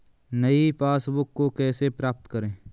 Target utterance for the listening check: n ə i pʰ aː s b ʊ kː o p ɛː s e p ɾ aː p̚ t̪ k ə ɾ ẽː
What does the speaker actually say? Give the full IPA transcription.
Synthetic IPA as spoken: n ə i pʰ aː s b ʊ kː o k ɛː s e p ɾ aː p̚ t̪ k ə ɾ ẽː